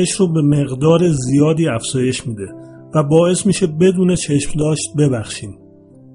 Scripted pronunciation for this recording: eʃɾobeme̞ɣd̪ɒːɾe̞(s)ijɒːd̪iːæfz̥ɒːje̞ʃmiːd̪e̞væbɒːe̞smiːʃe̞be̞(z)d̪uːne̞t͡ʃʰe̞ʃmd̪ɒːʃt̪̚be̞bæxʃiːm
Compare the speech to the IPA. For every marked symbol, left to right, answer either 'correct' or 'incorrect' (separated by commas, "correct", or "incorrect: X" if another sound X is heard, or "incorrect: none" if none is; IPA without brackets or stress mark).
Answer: incorrect: z, incorrect: none